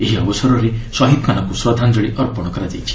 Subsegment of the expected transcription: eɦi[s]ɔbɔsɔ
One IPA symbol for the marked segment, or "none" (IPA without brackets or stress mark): none